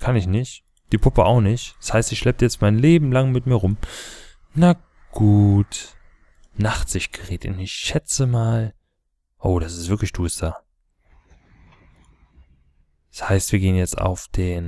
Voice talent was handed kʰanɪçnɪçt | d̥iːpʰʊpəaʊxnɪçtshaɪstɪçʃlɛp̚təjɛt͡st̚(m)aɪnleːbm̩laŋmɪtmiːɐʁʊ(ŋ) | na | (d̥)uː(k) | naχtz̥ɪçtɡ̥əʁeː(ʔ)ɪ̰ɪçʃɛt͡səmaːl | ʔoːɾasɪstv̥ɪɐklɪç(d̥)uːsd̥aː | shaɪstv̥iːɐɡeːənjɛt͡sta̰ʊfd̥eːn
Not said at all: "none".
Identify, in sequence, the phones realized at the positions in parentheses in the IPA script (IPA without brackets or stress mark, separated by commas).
m, m, ɡ̥, t, t, d̥